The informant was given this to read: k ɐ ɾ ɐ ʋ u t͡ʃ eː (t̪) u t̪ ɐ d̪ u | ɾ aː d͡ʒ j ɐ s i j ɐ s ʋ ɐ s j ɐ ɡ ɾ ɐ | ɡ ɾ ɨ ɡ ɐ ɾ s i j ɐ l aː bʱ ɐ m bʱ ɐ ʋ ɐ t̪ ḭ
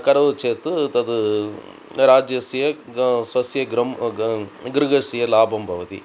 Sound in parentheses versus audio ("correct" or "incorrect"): correct